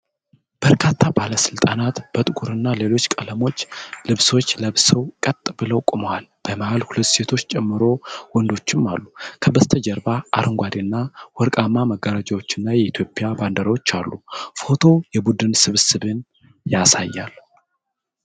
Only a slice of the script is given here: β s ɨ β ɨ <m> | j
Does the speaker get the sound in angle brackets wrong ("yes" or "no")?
yes